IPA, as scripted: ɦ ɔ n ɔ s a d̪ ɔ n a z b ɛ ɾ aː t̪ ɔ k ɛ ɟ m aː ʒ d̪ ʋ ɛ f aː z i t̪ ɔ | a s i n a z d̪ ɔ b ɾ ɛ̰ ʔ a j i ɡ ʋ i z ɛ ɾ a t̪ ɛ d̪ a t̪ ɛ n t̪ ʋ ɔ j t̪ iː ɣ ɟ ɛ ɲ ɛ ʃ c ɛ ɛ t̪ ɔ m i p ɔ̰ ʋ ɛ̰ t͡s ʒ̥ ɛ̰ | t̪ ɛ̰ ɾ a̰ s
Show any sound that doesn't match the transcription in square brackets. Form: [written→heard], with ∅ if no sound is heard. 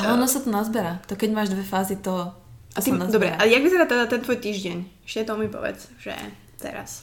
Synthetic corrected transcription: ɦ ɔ n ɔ s a [d̪→t̪] ɔ n a z b ɛ ɾ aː t̪ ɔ k ɛ ɟ m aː ʒ d̪ ʋ ɛ f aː z i t̪ ɔ | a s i n a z d̪ ɔ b ɾ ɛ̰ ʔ a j [i→a] ɡ ʋ i z ɛ ɾ a t̪ ɛ d̪ a t̪ ɛ n t̪ ʋ ɔ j t̪ iː [ɣ→ʒ] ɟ ɛ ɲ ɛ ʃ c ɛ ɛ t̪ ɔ m i p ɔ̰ ʋ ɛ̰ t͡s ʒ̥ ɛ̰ | t̪ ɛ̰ ɾ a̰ s